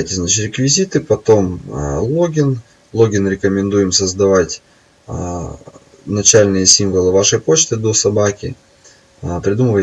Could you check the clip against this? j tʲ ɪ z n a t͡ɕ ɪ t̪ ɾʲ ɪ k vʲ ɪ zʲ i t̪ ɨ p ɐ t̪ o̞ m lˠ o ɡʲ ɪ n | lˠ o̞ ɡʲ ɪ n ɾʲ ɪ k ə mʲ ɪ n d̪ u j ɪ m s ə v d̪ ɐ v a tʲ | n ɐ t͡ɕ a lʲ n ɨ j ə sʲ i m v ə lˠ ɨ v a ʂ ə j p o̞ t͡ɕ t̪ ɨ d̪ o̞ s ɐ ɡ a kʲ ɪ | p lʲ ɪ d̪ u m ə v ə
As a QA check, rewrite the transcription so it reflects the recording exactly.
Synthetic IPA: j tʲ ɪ z n a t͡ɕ ɪ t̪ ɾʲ ɪ k vʲ ɪ zʲ i t̪ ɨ p ɐ t̪ o̞ m lˠ o ɡʲ ɪ n | lˠ o̞ ɡʲ ɪ n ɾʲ ɪ k ə mʲ ɪ n d̪ u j ɪ m s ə z d̪ ɐ v a tʲ | n ɐ t͡ɕ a lʲ n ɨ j ə sʲ i m v ə lˠ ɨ v a ʂ ə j p o̞ t͡ɕ t̪ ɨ d̪ o̞ s ɐ b a kʲ ɪ | p ɾʲ ɪ d̪ u m ə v ə